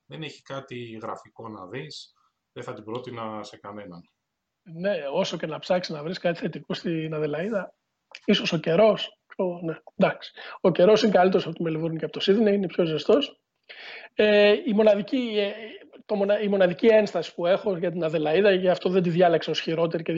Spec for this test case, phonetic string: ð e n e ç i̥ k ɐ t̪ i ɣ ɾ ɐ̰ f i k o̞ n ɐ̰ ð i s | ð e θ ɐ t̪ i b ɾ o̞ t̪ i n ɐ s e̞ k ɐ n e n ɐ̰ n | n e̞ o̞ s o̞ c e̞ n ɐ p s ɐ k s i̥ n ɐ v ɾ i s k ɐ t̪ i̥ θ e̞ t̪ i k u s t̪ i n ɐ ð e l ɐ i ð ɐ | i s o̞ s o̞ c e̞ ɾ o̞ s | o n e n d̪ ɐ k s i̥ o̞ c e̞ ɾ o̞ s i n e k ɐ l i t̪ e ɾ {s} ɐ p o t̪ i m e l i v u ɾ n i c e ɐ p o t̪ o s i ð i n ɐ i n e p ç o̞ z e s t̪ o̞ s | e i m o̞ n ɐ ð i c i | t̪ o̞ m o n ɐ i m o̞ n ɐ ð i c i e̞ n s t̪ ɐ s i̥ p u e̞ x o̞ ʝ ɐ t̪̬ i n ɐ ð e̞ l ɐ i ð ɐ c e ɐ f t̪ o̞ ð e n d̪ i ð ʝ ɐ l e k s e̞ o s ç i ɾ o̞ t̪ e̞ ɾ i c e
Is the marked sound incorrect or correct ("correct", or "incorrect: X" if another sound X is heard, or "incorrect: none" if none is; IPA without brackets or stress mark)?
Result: correct